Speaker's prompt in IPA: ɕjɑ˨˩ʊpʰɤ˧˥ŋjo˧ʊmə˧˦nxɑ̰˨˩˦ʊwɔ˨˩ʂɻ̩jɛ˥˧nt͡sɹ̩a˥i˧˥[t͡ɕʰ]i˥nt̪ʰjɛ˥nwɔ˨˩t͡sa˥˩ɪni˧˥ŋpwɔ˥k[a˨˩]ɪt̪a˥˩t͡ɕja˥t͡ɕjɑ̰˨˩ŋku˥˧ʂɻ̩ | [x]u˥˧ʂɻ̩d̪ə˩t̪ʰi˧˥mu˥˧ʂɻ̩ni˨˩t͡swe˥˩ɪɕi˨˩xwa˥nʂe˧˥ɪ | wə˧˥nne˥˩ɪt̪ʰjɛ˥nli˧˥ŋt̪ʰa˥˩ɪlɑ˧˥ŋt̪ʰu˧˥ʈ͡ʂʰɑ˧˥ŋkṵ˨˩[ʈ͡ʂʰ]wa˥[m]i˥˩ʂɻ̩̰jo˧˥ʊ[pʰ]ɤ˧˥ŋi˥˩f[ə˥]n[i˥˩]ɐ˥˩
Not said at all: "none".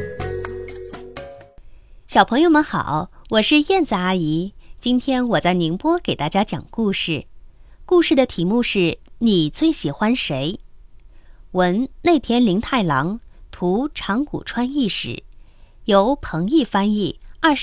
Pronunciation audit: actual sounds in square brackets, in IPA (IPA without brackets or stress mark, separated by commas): t͡ɕ, e˨˩, k, ʈ͡ʂʰ, n, pʰ, a˥, i˥˩